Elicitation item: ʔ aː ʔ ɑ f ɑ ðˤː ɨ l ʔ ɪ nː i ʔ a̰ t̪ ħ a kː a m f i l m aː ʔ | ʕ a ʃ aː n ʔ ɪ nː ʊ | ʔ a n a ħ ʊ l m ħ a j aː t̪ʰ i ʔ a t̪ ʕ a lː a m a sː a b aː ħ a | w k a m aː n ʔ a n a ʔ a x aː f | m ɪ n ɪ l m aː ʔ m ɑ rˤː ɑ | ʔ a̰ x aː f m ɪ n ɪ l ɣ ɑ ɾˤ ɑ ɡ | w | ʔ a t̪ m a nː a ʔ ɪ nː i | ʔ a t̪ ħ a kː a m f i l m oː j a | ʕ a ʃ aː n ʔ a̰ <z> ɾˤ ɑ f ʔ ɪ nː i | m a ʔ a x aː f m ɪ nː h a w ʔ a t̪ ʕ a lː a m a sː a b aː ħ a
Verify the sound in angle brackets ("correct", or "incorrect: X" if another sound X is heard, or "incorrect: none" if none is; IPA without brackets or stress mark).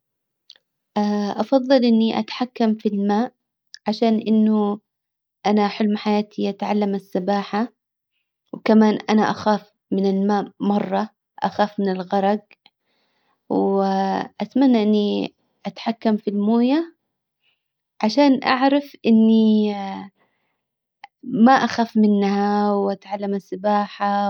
incorrect: ʕ